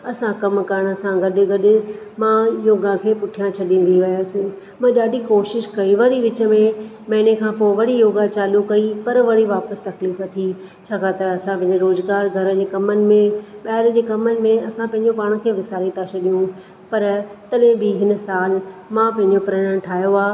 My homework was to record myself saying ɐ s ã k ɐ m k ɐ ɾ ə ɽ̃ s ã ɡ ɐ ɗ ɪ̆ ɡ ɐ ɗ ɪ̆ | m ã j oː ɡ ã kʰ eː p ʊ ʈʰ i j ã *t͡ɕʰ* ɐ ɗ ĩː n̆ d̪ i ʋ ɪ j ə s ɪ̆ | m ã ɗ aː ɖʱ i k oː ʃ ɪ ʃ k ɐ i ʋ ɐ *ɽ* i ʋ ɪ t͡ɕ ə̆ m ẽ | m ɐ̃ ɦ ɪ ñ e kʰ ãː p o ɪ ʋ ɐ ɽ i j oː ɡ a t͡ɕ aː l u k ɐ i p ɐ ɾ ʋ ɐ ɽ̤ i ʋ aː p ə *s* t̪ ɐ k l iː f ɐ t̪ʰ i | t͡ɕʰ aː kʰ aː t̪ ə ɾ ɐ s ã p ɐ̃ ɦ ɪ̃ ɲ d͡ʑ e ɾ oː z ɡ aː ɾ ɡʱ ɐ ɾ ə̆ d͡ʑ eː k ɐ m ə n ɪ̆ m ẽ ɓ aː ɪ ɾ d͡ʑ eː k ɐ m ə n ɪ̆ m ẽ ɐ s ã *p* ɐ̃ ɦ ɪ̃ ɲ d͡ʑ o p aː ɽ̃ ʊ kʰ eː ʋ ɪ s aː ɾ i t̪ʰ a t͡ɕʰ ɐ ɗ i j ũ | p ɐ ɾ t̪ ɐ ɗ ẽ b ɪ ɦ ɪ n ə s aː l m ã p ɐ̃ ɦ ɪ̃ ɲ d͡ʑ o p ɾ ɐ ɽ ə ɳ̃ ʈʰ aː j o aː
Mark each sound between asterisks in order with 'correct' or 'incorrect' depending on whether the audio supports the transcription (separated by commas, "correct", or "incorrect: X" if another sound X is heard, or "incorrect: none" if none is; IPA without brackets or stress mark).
correct, correct, correct, correct